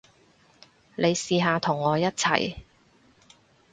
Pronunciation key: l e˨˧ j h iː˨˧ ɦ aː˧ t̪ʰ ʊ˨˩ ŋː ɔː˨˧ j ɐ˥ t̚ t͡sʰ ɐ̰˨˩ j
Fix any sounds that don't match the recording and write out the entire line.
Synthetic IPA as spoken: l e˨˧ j s iː˨˧ ɦ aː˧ t̪ʰ ʊ˨˩ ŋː ɔː˨˧ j ɐ˥ t̚ t͡sʰ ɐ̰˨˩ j